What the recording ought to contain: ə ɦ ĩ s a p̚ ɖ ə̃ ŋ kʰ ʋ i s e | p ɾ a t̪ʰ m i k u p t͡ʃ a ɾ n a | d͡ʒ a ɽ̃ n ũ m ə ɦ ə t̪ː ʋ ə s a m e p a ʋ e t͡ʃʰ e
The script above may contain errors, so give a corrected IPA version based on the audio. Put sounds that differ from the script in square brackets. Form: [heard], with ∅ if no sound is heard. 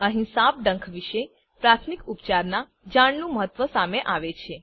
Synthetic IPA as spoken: ə ɦ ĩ s a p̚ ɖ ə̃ ŋ kʰ ʋ i [ʃ] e | p ɾ a t̪ʰ m i k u p t͡ʃ a ɾ n a | d͡ʒ a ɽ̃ n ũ m ə ɦ ə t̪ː ʋ ə s a m e [ʔ] a ʋ e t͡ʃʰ e